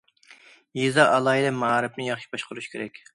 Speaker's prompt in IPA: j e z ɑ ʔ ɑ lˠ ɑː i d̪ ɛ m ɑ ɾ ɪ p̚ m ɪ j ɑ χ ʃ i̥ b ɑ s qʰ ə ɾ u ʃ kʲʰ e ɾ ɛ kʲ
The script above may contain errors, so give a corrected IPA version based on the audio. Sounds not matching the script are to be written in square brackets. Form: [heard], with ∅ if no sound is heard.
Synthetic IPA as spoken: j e z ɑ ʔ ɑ lˠ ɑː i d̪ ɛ m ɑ ɾ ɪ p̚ [n] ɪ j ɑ χ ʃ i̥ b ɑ [ʃ] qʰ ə ɾ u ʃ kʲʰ e ɾ ɛ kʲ